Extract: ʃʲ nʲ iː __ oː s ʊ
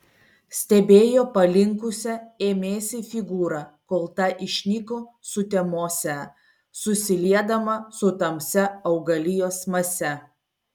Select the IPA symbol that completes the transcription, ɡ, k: k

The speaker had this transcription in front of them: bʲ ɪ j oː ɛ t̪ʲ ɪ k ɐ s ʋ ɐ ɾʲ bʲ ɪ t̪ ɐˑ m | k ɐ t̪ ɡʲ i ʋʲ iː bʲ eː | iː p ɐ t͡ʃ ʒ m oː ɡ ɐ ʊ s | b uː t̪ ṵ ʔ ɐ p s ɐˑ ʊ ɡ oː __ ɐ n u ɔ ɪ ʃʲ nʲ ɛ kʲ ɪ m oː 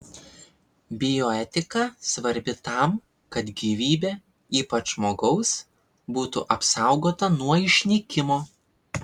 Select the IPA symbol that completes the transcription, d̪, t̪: t̪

